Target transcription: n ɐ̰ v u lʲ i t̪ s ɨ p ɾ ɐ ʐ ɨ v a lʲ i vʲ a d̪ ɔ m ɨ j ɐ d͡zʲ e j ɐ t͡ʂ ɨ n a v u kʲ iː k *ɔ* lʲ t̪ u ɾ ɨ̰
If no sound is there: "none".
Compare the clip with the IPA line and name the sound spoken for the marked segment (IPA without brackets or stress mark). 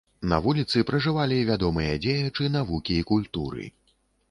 u